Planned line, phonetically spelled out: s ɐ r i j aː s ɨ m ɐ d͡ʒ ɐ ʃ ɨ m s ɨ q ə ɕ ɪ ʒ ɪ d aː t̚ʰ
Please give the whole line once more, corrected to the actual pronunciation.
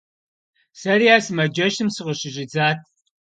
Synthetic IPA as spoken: s ɐ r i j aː s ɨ m ɐ d͡ʒ ɐ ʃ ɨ m s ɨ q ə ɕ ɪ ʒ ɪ d͡z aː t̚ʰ